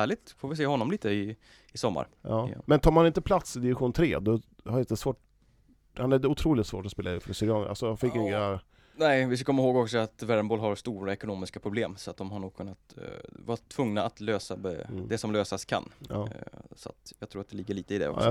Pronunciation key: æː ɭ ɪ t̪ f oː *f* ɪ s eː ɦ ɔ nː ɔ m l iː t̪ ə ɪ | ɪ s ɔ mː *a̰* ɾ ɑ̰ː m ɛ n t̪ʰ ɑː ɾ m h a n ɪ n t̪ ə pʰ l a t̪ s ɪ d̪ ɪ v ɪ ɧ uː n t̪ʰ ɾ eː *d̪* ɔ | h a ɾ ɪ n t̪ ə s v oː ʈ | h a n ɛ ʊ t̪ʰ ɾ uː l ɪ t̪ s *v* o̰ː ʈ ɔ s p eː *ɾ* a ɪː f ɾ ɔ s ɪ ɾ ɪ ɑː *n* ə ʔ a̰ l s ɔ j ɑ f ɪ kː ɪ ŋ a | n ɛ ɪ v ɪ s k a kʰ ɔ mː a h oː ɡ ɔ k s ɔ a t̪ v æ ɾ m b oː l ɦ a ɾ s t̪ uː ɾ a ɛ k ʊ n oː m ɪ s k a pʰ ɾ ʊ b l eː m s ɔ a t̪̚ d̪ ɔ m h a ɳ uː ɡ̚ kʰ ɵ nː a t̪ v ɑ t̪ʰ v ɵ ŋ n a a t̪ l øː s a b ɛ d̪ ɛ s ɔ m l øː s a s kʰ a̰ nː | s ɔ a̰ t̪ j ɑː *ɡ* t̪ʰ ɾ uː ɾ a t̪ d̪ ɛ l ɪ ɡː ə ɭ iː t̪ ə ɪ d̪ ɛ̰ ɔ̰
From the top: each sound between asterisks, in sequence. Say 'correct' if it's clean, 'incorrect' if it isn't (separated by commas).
incorrect, correct, correct, correct, incorrect, correct, correct